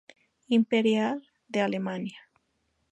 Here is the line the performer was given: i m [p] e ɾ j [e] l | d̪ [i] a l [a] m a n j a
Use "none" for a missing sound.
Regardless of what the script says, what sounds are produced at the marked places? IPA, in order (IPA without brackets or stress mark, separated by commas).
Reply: p, a, e, e